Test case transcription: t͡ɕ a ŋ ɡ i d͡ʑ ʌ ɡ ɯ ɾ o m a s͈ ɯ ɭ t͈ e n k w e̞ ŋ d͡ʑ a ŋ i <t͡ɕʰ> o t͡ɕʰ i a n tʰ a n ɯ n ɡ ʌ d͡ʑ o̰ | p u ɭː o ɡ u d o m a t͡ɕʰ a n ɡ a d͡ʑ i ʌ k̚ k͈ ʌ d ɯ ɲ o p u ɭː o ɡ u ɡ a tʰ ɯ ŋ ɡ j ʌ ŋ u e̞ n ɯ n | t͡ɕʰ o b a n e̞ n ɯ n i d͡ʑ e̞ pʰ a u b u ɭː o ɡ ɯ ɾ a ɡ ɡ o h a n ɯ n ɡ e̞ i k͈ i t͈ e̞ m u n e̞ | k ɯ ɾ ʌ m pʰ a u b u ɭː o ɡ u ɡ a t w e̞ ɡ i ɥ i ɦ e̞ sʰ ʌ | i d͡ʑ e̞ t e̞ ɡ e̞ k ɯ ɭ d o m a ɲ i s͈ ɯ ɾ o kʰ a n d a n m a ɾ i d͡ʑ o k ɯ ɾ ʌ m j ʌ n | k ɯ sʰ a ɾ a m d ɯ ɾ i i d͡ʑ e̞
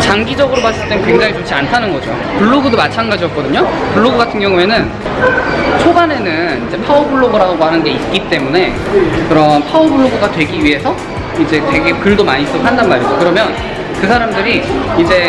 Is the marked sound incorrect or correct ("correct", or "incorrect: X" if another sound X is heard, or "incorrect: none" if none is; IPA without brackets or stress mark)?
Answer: incorrect: t͡ɕ